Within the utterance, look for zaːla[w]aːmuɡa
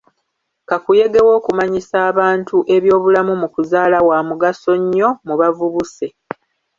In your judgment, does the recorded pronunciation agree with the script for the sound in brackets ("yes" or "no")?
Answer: yes